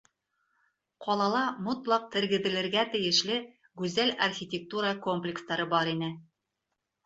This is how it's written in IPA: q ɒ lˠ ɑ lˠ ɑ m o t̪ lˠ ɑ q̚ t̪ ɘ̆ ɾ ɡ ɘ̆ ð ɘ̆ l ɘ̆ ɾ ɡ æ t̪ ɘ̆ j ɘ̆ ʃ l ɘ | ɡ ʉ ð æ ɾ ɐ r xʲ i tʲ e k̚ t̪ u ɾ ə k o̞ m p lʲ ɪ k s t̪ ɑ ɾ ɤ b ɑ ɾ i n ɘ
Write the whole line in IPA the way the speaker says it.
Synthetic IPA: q ɒ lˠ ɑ lˠ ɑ m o t̪ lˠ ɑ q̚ t̪ ɘ̆ ɾ ɡ ɘ̆ ð ɘ̆ l ɘ̆ ɾ ɡ æ t̪ ɘ̆ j ɘ̆ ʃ l ɘ | ɡ ʉ z æ l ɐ r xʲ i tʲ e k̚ t̪ u ɾ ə k o̞ m p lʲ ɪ k s t̪ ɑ ɾ ɤ b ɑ ɾ i n ɘ